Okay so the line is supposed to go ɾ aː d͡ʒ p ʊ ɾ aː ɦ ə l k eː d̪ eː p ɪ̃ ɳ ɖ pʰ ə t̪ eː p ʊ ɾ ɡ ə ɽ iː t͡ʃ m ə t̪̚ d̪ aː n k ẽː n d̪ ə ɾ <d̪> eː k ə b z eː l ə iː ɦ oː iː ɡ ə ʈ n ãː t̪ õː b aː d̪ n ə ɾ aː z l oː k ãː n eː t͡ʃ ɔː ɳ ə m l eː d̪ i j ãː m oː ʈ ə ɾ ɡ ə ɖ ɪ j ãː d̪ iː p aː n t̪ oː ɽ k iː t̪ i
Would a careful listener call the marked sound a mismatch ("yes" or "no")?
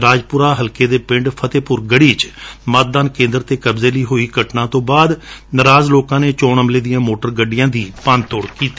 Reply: yes